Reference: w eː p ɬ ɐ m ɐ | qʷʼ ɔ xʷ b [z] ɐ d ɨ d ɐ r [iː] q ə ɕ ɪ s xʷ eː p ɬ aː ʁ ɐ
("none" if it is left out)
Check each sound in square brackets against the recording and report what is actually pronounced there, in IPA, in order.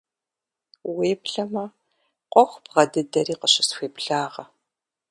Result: ʁ, iː

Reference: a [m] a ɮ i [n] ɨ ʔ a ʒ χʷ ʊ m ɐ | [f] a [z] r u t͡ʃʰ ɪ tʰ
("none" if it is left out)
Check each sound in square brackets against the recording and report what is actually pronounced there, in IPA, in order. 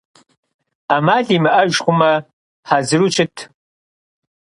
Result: m, m, ħ, z

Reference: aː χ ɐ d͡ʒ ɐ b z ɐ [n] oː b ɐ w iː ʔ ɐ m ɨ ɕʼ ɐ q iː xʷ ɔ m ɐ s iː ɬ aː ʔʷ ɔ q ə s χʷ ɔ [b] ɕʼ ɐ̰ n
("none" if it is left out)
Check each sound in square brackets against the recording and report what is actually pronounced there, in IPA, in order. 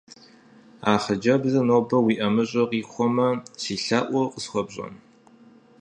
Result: n, b

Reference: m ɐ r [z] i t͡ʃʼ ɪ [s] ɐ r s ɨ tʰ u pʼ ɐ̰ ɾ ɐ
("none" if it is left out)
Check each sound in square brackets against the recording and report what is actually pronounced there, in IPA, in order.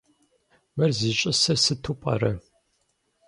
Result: z, s

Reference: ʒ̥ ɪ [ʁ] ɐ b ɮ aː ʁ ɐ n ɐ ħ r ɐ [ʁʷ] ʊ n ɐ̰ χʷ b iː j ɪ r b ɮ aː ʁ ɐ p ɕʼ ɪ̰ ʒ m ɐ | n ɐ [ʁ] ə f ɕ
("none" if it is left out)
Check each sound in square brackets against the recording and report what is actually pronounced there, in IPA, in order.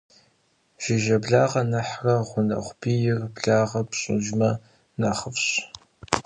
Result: ʒ, ʁʷ, χ

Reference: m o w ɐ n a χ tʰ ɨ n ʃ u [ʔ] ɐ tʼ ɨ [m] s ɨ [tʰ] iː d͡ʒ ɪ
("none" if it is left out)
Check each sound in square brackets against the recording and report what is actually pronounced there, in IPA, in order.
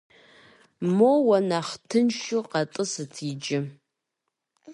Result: q, none, tʰ

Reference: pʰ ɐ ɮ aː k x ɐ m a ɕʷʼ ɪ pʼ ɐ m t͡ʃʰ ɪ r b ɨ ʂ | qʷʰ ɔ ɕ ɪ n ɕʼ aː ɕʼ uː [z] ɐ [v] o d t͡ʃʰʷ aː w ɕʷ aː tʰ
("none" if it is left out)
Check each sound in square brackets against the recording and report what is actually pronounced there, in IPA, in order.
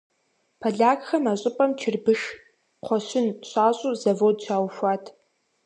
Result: z, v

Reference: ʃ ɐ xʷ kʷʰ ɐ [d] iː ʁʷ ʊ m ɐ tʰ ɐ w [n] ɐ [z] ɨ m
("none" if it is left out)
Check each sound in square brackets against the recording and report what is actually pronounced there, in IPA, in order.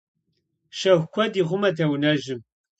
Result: d, n, ʒ

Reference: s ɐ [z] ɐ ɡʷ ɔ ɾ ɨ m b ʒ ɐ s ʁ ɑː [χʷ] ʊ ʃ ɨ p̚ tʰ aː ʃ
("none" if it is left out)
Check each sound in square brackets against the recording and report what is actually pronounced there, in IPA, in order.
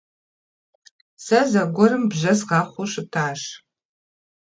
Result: z, χʷ

